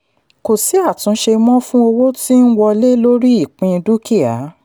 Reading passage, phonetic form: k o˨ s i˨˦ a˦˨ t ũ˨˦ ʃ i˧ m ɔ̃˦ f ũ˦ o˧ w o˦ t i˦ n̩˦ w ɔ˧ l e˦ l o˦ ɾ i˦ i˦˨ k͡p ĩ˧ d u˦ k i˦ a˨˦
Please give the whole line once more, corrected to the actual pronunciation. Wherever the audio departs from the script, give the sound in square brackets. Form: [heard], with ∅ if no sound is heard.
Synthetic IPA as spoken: k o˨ s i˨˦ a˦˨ t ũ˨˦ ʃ [e˧] m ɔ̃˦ f ũ˦ o˧ w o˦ t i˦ n̩˦ w ɔ˧ l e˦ l o˦ ɾ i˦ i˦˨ k͡p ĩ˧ d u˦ k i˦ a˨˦